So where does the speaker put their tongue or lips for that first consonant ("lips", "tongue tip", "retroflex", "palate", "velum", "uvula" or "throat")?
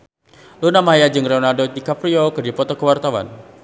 tongue tip